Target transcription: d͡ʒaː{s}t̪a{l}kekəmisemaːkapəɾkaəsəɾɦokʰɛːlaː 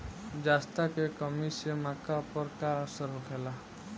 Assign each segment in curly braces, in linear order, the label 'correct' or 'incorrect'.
correct, incorrect: none

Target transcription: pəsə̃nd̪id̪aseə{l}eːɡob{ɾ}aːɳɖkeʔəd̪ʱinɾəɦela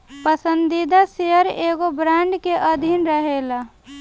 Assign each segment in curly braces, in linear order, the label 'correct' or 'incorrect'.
incorrect: ɾ, correct

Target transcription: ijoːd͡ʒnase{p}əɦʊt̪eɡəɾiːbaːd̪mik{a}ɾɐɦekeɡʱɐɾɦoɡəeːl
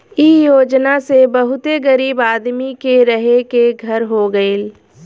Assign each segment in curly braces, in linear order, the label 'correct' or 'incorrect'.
incorrect: b, incorrect: e

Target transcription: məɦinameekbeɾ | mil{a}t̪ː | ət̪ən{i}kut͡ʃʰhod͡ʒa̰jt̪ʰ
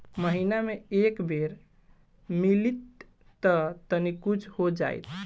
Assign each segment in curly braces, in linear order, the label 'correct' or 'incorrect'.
incorrect: i, correct

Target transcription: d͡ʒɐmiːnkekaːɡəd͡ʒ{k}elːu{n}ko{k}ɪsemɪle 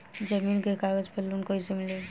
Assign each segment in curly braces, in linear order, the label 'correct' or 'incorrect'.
incorrect: p, correct, incorrect: none

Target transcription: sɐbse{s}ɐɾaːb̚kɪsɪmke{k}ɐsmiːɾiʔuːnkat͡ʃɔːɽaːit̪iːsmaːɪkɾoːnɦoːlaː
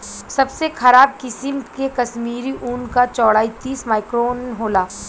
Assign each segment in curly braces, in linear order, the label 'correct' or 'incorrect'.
incorrect: x, correct

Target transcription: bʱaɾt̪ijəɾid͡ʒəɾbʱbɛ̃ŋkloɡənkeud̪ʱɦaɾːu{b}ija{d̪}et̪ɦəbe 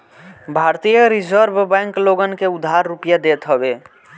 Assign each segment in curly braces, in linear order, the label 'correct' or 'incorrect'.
incorrect: p, correct

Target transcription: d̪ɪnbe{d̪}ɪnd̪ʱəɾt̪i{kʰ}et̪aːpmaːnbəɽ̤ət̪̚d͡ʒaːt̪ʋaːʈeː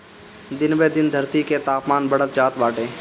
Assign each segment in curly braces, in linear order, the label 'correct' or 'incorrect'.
correct, incorrect: k

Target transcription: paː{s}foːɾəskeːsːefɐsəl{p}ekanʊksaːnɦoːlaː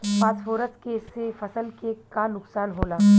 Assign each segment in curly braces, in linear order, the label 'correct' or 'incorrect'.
correct, incorrect: k

